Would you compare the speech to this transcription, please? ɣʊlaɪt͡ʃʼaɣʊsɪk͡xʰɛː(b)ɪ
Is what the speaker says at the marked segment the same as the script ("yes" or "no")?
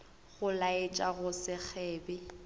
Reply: yes